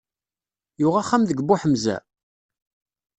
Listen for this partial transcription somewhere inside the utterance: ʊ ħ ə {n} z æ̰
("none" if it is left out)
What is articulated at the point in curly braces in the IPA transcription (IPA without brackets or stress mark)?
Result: m